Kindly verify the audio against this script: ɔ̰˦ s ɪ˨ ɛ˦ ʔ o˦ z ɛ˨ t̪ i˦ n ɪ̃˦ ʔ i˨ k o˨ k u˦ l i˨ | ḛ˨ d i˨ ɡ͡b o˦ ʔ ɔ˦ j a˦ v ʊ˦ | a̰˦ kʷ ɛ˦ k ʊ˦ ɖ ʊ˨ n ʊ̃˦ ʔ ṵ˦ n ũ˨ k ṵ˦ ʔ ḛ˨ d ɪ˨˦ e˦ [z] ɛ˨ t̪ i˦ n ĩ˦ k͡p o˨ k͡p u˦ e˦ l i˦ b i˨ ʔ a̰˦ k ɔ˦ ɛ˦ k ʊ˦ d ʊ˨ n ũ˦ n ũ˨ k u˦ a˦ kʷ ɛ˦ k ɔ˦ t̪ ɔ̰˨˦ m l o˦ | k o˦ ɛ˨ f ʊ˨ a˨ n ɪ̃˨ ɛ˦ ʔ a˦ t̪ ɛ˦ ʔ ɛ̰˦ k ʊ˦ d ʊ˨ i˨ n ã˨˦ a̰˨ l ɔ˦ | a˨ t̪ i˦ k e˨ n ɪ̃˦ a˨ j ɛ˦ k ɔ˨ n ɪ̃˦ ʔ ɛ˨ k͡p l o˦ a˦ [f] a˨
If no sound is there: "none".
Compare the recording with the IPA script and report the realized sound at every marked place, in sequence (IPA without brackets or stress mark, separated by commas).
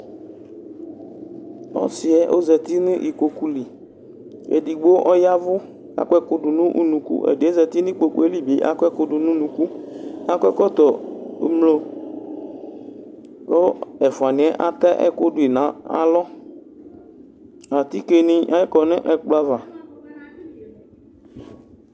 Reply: z, v